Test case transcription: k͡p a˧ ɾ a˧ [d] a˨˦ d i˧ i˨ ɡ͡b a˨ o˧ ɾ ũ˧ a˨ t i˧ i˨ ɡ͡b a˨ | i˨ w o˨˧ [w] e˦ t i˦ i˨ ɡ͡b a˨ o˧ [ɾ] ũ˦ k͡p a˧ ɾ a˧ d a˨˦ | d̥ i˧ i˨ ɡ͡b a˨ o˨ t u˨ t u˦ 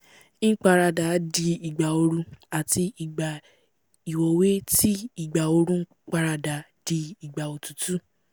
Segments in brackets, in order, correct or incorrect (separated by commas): correct, correct, correct